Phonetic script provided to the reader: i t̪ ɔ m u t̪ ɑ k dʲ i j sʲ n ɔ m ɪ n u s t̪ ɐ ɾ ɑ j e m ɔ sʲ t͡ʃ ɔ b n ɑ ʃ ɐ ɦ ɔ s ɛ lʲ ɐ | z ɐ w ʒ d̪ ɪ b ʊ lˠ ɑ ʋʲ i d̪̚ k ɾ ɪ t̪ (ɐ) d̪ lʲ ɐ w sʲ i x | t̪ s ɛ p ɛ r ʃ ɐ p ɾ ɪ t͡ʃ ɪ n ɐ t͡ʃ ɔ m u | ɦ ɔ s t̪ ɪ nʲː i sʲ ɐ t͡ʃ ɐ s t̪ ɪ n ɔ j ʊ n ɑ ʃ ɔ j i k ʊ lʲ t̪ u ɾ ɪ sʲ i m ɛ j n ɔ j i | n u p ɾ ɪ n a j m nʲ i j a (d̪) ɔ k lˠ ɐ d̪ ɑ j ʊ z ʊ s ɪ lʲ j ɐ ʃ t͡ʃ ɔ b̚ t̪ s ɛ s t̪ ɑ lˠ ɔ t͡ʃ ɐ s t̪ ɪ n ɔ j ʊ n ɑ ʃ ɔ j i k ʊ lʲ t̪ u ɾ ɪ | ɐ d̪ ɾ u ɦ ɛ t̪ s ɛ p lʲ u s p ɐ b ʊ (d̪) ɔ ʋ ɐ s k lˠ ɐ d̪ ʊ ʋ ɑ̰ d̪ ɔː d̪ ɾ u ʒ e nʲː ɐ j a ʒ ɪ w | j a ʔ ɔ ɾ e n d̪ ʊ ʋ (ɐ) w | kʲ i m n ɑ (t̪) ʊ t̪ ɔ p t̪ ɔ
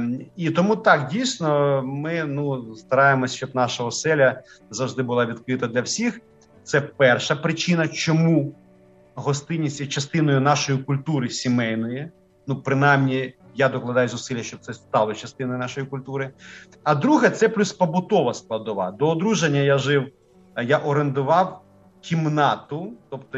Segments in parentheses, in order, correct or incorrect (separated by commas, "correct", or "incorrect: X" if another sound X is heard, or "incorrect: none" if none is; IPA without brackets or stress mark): correct, correct, incorrect: t̪, incorrect: ɑ, correct